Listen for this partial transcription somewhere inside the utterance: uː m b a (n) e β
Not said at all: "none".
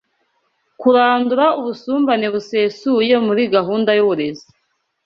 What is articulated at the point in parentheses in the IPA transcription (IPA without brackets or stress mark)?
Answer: n